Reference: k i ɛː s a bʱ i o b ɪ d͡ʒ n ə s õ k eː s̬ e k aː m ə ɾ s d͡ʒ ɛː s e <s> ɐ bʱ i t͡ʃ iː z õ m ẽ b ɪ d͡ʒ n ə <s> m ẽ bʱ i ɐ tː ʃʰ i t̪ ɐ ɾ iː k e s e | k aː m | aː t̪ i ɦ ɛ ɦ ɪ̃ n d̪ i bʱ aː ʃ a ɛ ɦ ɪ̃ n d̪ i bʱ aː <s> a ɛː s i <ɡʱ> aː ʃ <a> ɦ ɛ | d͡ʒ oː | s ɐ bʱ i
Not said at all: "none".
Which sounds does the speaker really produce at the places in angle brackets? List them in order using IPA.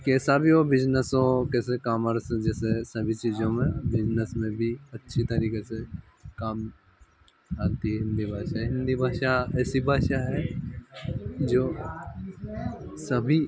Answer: s, s, ʃ, bʱ, a

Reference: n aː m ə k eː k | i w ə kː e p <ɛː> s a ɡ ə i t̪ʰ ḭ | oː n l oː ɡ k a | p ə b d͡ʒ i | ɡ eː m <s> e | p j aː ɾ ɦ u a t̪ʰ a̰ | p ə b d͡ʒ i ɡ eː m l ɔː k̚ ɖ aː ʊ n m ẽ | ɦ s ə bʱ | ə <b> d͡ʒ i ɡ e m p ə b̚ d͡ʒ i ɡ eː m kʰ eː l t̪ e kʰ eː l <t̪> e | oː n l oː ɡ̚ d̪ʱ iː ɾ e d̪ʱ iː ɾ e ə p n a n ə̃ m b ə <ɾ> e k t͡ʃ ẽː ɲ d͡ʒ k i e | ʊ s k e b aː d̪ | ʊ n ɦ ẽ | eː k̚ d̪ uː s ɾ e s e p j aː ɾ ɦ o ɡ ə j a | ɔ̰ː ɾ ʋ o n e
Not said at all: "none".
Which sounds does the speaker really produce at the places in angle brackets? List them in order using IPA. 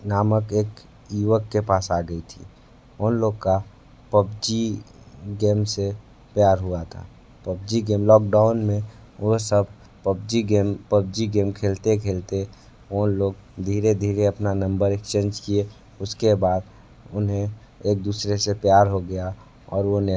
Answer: aː, s, b, t̪, ɾ

